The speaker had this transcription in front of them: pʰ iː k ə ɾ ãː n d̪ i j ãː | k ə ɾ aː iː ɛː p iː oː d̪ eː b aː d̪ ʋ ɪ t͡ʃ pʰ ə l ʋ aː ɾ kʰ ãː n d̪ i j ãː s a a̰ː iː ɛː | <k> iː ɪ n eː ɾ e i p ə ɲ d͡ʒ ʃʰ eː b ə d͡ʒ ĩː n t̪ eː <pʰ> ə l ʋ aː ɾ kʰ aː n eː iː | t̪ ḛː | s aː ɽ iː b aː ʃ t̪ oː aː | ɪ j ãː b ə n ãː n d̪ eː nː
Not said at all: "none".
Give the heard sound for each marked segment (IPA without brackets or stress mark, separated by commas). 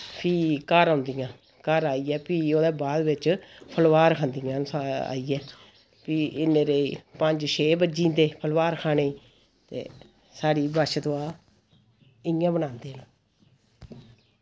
p, pʰ